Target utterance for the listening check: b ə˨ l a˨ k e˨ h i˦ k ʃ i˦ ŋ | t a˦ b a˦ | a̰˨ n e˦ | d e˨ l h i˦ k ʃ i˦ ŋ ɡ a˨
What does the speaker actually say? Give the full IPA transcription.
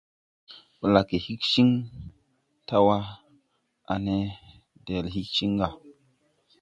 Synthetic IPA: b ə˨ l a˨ k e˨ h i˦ k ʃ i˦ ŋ | t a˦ w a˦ | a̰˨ n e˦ | d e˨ l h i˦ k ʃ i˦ ŋ ɡ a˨